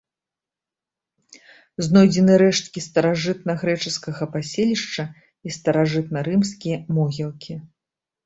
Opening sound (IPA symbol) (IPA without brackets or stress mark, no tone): z